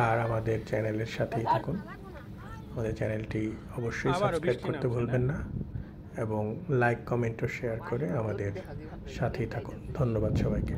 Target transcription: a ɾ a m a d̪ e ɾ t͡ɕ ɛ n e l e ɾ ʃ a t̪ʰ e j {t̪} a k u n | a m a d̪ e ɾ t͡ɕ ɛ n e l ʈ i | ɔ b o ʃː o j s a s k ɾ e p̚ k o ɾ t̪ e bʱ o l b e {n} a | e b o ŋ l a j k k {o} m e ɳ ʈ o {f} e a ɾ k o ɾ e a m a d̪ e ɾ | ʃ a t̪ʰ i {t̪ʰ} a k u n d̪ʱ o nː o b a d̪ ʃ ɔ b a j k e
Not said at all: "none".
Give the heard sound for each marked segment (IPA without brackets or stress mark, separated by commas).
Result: t̪ʰ, nː, ɔ, ʃ, t̪ʰ